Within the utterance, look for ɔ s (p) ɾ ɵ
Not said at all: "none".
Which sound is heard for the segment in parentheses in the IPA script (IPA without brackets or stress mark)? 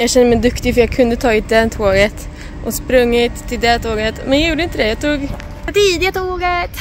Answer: p